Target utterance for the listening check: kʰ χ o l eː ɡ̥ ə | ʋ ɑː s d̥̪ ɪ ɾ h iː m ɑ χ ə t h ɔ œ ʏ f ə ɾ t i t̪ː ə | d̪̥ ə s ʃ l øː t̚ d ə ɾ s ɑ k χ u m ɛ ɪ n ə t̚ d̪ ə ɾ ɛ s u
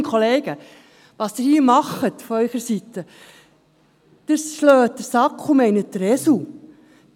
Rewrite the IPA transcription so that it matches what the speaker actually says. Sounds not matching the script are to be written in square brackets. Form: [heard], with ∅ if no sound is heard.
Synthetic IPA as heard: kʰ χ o l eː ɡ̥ ə | ʋ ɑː s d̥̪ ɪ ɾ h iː m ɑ χ ə t [f] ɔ œ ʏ [χ] ə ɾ [s] i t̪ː ə | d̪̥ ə s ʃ l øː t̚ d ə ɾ s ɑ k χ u m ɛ ɪ n ə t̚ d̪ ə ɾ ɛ s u

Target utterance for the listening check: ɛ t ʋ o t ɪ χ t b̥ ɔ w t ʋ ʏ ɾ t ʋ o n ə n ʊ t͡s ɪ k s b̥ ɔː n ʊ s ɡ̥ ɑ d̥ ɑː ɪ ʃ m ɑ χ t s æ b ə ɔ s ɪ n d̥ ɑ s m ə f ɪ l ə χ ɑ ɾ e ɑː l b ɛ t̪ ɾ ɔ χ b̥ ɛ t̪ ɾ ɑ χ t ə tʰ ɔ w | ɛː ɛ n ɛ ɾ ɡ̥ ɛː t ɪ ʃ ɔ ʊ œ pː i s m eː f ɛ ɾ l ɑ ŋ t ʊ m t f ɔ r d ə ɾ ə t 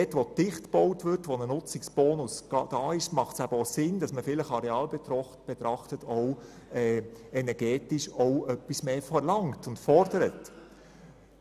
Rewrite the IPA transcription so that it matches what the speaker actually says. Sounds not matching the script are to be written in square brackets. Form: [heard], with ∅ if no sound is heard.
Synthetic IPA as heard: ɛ t ʋ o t ɪ χ t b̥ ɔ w t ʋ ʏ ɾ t ʋ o n ə n ʊ t͡s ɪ k s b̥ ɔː n ʊ s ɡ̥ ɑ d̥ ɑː ɪ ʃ m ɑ χ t s æ b ə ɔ s ɪ n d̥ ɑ s m ə f ɪ l ə χ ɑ ɾ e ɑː l b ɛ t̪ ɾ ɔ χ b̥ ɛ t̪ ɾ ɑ χ t ə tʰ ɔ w | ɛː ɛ n ɛ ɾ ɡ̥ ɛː t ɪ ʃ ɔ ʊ œ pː i s m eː f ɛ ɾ l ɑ ŋ t ʊ [n] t f ɔ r d ə ɾ ə t

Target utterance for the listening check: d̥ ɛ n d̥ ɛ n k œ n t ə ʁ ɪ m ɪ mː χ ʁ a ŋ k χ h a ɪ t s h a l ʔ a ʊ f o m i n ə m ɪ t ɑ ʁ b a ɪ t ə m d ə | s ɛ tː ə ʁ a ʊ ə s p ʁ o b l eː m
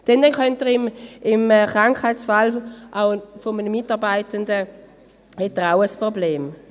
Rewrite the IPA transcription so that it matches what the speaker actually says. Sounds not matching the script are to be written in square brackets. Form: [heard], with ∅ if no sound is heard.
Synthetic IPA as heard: d̥ ɛ n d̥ ɛ n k œ n t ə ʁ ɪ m ɪ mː χ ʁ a ŋ k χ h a ɪ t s [f] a l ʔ a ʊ f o m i n ə m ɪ t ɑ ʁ b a ɪ t ə [n] d ə | [h] ɛ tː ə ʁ a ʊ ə s p ʁ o b l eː m

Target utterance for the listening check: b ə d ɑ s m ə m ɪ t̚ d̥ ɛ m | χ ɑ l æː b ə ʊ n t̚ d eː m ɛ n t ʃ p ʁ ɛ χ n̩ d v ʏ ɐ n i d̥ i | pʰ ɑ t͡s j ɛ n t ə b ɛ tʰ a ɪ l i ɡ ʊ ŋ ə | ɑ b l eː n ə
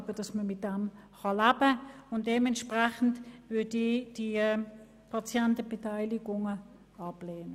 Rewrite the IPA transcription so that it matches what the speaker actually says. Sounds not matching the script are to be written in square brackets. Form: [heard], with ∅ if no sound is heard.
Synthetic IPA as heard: b ə d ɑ s m ə m ɪ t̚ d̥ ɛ m | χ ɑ l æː b ə ʊ n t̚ d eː m ɛ n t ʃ p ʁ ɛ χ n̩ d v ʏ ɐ [d] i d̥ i | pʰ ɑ t͡s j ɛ n t ə b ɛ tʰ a ɪ l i ɡ ʊ ŋ ə | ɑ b l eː n ə

